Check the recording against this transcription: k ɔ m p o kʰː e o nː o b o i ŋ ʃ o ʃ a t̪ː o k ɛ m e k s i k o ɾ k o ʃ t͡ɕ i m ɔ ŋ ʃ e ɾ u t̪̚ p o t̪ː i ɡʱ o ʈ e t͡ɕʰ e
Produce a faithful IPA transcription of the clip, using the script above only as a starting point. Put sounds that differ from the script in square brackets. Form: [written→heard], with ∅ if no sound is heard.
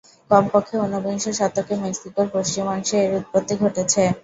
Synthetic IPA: k ɔ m p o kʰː e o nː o b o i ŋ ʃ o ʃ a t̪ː o k [ɛ→e] m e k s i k o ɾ [k→p] o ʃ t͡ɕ i m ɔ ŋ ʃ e ɾ u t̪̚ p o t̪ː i ɡʱ o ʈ e t͡ɕʰ e